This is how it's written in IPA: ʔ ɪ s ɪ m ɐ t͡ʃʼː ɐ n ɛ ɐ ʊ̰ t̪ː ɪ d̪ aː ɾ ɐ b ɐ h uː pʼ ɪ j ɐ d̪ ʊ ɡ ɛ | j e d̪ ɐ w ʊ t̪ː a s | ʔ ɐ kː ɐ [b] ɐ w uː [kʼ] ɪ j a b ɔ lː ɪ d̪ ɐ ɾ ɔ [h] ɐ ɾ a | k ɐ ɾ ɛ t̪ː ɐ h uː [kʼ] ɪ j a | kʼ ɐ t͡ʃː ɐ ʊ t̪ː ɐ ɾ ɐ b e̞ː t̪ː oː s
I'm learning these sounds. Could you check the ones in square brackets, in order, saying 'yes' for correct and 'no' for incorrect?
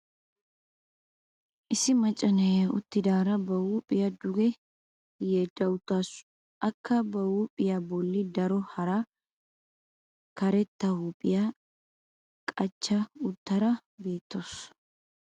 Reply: yes, no, yes, no

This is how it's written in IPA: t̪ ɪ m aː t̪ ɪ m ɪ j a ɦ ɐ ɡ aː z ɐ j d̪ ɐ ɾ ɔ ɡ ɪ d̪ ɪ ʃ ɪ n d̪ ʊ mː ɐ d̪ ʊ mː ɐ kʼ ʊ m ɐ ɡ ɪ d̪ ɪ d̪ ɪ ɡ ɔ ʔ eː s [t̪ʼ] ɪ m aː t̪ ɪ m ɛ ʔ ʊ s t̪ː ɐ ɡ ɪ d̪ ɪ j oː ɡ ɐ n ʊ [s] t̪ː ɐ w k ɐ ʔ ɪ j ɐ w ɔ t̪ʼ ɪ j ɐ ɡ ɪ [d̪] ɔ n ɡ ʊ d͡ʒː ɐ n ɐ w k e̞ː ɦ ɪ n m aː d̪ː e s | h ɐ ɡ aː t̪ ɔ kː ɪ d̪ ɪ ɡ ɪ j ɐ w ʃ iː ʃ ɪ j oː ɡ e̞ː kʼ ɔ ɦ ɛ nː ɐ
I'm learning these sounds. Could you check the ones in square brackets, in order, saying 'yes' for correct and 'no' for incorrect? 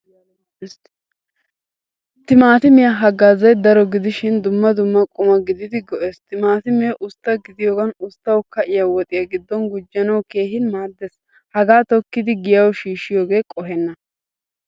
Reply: no, yes, no

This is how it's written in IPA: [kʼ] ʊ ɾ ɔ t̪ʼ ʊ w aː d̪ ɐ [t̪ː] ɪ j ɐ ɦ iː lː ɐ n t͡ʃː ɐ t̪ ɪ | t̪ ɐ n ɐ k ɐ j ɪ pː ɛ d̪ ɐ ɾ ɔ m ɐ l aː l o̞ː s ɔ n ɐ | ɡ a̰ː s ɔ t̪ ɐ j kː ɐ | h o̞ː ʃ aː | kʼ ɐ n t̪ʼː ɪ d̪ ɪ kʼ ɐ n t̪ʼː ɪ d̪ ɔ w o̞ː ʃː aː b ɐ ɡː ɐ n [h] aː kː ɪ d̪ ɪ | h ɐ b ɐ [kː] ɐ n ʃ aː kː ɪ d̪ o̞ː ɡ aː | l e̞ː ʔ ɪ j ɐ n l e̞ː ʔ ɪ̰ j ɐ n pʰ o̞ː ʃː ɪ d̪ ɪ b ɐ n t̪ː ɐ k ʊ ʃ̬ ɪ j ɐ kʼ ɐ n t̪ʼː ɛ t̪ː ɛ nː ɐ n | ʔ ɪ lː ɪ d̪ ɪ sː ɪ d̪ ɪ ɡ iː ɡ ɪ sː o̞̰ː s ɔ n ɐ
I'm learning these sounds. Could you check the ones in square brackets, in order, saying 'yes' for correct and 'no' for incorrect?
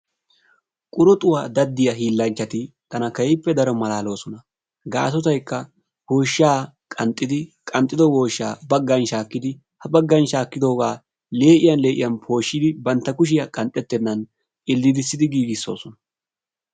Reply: yes, no, no, no

